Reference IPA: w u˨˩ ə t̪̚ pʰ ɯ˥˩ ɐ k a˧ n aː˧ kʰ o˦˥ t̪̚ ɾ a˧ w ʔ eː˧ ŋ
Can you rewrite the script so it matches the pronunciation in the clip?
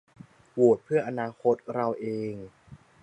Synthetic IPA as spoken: w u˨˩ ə t̪̚ pʰ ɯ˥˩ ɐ ʔ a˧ n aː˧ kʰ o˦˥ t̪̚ ɾ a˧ w ʔ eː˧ ŋ